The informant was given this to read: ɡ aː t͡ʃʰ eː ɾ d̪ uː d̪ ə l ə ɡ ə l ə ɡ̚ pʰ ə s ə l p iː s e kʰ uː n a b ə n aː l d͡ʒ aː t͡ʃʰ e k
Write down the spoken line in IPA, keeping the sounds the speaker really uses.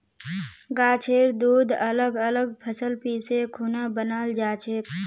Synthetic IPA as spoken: ɡ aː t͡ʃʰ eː ɾ d̪ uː d̪ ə l ə ɡ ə l ə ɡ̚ pʰ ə s ə l p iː s e kʰ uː n a b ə n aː l d͡ʒ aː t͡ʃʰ e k